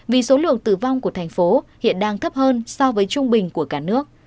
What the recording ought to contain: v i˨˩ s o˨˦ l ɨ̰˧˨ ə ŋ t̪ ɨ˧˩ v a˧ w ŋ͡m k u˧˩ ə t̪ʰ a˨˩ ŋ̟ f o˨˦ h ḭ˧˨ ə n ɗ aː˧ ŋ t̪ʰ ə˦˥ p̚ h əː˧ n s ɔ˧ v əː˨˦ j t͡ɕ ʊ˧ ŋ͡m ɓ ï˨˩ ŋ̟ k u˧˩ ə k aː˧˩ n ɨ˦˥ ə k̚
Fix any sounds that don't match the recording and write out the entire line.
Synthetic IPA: v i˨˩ s o˨˦ l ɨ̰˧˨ ə ŋ t̪ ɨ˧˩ v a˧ w ŋ͡m k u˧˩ ə t̪ʰ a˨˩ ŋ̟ f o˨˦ h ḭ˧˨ ə n ɗ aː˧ ŋ t̪ʰ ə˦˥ p̚ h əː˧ n s ɔ˧ v əː˨˦ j t͡ɕ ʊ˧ ŋ͡m ɓ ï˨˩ ŋ̟ k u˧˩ ə k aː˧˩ n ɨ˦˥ ə k̚